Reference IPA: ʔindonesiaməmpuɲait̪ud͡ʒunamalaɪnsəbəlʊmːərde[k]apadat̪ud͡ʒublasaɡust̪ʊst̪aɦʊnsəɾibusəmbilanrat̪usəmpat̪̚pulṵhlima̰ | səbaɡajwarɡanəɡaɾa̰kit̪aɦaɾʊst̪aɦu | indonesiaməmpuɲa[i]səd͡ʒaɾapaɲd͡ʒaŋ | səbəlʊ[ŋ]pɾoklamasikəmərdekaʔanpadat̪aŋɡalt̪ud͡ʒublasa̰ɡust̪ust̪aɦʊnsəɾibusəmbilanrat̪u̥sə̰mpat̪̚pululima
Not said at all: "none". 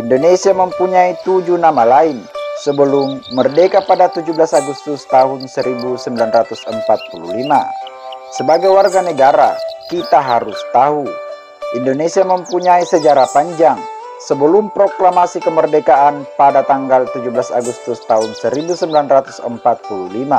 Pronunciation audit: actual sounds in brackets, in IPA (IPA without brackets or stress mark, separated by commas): k, i, m